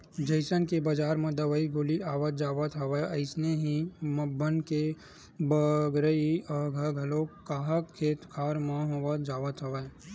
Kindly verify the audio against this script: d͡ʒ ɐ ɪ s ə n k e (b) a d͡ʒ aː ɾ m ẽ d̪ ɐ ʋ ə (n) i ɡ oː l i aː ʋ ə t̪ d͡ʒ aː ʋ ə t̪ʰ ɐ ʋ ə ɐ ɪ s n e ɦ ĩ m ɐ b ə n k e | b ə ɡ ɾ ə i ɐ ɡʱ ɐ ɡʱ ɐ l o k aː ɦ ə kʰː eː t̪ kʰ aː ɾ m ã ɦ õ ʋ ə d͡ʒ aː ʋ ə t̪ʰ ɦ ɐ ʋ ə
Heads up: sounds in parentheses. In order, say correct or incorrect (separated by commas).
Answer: correct, incorrect